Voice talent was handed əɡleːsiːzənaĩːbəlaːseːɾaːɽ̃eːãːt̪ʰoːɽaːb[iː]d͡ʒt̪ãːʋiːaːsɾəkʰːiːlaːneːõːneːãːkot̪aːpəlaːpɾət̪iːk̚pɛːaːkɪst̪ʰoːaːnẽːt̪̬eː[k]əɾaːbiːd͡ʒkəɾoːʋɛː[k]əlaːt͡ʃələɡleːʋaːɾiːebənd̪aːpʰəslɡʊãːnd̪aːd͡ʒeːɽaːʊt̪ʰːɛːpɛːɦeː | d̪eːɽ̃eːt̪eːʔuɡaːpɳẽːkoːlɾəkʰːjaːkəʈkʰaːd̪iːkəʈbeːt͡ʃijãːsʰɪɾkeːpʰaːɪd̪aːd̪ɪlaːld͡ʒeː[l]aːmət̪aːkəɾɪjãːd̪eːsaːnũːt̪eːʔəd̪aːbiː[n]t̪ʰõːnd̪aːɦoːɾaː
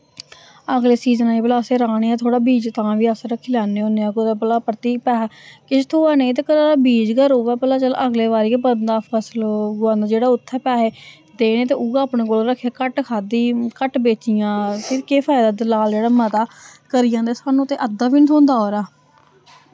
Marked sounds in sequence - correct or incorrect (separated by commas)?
correct, correct, incorrect, incorrect, correct